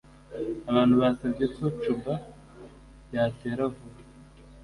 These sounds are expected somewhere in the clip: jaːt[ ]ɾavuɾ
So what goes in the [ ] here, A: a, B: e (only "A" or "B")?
B